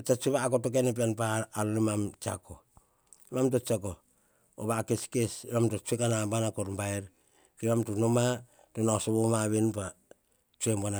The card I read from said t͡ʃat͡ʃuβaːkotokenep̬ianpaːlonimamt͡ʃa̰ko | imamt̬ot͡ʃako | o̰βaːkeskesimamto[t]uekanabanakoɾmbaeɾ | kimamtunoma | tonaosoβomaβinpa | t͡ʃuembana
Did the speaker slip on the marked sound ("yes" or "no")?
yes